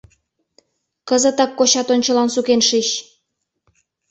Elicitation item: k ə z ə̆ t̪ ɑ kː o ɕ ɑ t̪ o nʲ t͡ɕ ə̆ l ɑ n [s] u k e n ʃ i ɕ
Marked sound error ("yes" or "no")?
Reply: no